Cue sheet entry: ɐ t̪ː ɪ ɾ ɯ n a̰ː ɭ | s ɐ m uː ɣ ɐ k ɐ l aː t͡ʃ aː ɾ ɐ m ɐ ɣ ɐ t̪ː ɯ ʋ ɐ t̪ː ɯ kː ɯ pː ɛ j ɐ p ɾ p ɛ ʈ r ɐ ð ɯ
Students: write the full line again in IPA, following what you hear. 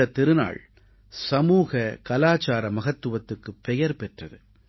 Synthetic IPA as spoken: ɐ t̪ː ɪ ɾ ɯ n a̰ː ɭ | s ɐ m uː ɣ ɐ k ɐ l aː t͡ʃ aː ɾ ɐ m ɐ ɣ ɐ t̪ː ɯ ʋ ɐ t̪ː ɯ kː ɯ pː ɛ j ɐ ɾ p ɛ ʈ r ɐ ð ɯ